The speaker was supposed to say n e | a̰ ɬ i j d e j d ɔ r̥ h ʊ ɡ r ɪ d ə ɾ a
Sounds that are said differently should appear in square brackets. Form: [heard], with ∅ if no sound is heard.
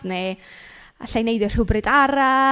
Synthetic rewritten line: n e | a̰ ɬ [a] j [n] e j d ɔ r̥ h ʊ [b] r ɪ d [a] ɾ a